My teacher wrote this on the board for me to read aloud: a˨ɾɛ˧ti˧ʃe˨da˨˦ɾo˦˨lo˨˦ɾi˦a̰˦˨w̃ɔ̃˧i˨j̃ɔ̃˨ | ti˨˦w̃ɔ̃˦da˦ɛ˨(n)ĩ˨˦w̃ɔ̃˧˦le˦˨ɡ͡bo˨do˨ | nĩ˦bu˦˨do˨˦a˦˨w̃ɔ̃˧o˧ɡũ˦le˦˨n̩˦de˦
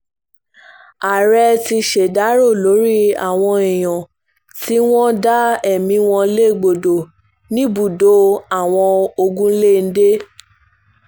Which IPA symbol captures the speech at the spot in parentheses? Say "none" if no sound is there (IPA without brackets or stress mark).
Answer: m